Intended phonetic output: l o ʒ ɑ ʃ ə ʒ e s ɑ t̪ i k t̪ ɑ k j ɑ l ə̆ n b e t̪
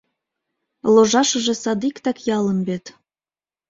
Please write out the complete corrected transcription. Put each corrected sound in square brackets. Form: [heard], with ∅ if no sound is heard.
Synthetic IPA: l o ʒ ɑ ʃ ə ʒ e s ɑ [d̪] i k t̪ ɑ k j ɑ l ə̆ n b e t̪